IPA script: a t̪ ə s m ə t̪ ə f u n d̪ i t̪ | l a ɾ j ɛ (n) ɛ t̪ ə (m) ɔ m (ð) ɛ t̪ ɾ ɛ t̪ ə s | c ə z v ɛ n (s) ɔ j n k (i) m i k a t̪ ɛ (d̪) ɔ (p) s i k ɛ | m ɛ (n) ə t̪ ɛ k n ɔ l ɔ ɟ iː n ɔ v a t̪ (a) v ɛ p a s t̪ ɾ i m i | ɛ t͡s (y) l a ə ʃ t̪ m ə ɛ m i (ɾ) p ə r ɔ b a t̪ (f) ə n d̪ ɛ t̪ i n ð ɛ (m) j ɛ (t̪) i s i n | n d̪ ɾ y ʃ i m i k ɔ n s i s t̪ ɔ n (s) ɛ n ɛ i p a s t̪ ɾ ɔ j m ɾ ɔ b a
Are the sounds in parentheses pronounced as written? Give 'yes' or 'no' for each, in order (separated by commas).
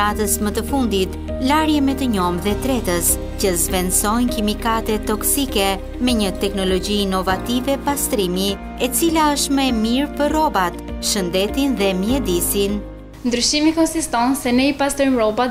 no, no, yes, yes, yes, no, no, no, no, no, yes, no, yes, no, yes